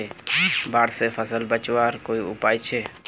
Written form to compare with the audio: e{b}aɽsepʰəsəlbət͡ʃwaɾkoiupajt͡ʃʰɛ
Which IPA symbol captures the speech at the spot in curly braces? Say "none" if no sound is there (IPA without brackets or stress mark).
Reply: b